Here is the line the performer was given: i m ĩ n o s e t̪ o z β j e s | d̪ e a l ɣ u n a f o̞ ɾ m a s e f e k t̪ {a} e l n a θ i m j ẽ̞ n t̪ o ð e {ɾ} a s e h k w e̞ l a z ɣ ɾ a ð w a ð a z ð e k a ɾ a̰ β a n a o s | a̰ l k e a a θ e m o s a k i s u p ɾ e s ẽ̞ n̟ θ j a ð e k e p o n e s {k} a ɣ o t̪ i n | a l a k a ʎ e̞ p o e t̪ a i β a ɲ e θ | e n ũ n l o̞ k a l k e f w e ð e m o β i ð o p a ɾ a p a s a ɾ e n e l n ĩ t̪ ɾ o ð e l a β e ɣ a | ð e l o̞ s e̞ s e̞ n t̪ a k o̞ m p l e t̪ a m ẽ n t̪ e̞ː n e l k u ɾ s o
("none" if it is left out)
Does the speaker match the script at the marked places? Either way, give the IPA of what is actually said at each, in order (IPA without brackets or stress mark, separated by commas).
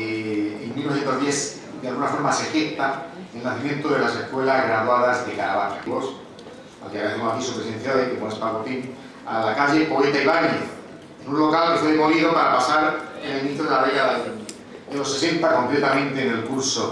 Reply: a, l, p